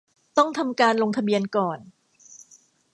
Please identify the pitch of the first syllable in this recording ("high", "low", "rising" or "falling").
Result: falling